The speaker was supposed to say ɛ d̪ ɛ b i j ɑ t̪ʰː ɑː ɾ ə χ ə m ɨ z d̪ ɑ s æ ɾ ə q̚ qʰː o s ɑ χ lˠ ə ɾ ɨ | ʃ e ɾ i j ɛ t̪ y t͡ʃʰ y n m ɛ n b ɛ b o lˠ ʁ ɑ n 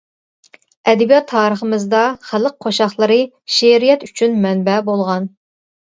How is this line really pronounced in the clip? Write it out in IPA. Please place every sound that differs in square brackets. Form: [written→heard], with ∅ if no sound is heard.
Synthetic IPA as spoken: ɛ d̪ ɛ b i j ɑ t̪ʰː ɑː ɾ ə χ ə m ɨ z d̪ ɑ [s→χ] æ [ɾ→l] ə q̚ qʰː o [s→ʃ] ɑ χ lˠ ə ɾ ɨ | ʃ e ɾ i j ɛ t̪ y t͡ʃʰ y n m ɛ n b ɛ b o lˠ ʁ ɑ n